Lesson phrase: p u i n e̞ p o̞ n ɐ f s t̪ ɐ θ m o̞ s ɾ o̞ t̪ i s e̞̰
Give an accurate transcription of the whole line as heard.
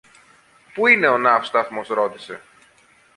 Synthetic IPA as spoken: p u i n e̞ o̞ n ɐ f s t̪ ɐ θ m o̞ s ɾ o̞ t̪ i s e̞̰